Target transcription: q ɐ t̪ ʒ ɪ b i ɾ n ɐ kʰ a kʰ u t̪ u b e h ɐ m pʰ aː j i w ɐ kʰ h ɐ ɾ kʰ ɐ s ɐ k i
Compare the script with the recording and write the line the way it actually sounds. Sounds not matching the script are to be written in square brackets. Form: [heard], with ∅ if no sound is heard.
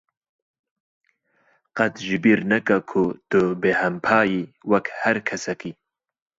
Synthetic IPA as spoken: q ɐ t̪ ʒ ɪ b i ɾ n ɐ [k] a kʰ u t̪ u b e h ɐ m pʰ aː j i w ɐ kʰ h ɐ ɾ kʰ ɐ s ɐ k i